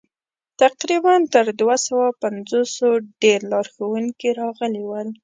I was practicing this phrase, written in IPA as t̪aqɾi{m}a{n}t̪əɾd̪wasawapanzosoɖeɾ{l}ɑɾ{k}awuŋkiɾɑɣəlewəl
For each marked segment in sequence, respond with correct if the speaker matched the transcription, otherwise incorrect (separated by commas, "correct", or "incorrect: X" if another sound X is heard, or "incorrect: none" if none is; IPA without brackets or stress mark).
incorrect: b, correct, correct, incorrect: x